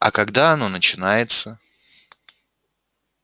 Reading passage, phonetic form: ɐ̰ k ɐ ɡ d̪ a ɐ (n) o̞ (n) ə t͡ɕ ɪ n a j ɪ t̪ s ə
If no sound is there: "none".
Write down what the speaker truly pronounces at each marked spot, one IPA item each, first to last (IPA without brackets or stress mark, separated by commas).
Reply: n, n